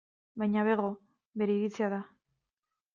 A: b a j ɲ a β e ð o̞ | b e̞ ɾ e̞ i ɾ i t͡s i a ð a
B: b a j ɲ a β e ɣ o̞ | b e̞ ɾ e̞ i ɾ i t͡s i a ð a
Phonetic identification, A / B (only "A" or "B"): B